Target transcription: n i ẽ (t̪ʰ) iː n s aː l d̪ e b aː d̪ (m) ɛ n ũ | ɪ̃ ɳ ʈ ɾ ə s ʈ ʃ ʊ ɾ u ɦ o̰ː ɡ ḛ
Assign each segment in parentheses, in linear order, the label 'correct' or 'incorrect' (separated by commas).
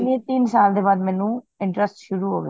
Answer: incorrect, correct